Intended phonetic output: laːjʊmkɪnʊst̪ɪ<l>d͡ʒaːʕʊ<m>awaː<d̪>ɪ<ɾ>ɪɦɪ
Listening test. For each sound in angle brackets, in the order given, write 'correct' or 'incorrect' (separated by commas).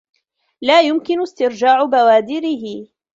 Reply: incorrect, incorrect, correct, correct